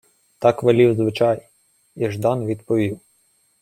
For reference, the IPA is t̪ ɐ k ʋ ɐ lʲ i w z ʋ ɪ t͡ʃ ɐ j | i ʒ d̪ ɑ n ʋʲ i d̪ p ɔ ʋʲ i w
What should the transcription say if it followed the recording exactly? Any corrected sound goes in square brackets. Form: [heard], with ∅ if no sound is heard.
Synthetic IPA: t̪ [ɑ] k ʋ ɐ lʲ i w z ʋ ɪ t͡ʃ [ɑ] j | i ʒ d̪ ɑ n ʋʲ i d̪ p ɔ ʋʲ i w